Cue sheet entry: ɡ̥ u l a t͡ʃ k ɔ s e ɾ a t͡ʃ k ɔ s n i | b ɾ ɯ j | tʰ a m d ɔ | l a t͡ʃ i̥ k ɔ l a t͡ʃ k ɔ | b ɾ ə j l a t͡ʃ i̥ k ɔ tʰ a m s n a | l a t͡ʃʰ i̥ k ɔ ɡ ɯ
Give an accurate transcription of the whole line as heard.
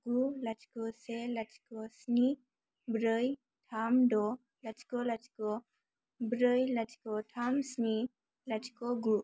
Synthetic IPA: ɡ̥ u l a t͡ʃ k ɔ s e l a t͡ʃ k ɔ s n i | b ɾ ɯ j | tʰ a m d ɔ | l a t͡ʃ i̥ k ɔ l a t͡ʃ k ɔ | b ɾ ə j l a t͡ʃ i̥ k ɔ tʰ a m s n i | l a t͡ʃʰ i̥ k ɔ ɡ u